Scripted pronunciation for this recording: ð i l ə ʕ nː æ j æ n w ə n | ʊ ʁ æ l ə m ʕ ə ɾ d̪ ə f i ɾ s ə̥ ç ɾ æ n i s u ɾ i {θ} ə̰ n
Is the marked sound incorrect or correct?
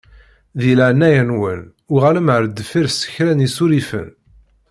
incorrect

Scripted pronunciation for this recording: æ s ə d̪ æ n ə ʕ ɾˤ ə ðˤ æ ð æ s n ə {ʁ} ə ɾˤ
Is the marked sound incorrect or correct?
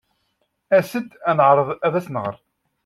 correct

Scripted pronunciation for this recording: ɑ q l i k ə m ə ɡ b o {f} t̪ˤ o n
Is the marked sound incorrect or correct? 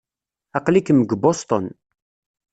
incorrect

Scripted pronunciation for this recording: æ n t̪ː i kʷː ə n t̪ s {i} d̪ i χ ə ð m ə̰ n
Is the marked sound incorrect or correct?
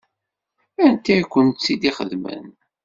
correct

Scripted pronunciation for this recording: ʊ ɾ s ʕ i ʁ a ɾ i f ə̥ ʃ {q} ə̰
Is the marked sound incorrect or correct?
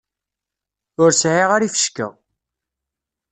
incorrect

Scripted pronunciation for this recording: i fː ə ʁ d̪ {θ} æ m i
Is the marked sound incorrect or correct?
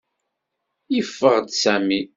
incorrect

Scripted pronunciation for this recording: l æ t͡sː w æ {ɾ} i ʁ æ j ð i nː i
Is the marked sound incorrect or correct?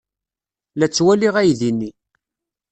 incorrect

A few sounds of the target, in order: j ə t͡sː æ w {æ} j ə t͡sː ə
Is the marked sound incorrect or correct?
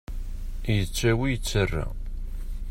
incorrect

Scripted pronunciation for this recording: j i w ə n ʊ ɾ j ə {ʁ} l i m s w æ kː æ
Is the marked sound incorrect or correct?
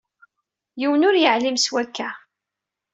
incorrect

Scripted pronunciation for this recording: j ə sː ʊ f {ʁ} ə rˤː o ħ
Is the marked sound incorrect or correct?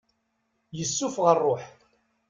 correct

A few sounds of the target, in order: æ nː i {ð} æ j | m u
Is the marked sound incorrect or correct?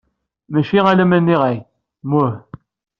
incorrect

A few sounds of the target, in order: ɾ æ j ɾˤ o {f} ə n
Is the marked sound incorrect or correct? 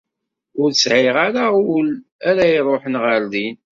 incorrect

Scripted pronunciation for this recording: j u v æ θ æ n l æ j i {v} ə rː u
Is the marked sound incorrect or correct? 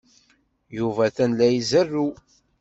incorrect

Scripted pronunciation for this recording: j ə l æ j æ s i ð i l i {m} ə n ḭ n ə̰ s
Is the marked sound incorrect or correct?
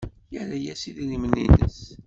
correct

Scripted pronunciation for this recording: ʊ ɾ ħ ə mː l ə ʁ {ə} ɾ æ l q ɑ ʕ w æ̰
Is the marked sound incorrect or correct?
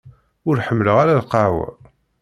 incorrect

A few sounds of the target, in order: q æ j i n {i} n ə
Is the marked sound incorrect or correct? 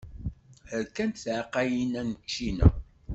incorrect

